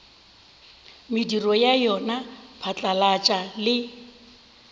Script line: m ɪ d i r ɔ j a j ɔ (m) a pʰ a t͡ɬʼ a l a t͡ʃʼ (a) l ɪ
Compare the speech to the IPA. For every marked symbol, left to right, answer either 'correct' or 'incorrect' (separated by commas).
incorrect, correct